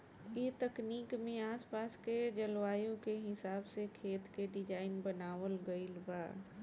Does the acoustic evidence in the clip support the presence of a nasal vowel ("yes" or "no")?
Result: yes